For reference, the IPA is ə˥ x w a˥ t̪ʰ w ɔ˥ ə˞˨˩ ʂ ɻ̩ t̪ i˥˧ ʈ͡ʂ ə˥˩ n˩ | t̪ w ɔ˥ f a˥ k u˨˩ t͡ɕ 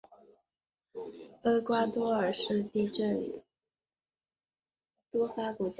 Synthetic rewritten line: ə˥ k w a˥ t̪ w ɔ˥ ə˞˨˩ ʂ ɻ̩ t̪ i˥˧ ʈ͡ʂ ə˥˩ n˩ | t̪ w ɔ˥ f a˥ k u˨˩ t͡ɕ